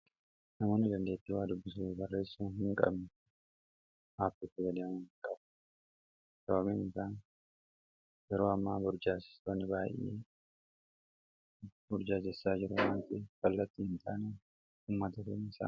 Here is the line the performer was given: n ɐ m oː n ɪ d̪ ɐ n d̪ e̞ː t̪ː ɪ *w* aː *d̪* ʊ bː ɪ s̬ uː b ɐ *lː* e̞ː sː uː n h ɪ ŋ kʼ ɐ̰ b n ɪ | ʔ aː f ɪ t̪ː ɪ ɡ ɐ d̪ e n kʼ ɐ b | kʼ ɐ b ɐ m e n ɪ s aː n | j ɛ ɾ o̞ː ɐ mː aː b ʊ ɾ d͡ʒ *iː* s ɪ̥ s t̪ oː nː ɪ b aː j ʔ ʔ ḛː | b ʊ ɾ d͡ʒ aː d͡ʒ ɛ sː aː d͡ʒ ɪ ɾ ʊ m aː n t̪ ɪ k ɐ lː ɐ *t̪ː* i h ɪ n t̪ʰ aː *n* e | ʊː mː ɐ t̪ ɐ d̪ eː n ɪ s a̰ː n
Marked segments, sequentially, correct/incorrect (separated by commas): correct, correct, incorrect, incorrect, correct, correct